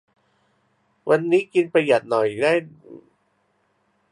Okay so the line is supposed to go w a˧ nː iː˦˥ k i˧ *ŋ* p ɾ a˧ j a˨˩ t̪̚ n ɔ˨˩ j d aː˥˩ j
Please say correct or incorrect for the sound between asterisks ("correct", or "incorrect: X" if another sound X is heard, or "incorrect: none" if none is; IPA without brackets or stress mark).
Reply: incorrect: n